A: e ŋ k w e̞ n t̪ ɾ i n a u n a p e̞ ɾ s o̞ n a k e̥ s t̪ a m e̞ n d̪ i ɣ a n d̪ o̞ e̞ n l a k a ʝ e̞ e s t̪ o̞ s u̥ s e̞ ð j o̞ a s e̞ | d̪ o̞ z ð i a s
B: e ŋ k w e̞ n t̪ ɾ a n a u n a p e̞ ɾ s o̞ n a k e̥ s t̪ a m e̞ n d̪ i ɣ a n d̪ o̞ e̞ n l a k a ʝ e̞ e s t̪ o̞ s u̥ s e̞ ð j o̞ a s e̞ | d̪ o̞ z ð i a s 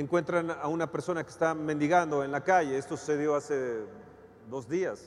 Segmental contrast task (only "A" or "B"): B